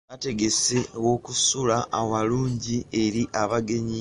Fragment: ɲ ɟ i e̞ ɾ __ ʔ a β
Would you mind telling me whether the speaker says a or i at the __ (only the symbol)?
i